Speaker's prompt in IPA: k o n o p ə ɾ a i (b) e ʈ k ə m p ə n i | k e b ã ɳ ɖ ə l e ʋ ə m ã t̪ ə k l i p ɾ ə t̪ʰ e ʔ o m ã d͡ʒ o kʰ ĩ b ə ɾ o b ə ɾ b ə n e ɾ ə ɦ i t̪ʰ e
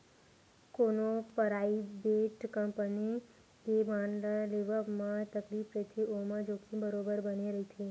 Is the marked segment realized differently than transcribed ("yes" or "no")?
no